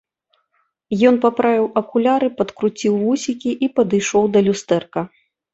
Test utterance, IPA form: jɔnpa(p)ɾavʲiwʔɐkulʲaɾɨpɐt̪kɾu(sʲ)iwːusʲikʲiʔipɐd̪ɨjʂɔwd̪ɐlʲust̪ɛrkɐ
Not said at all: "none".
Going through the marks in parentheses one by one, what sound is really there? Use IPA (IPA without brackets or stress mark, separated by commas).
p, t͡sʲ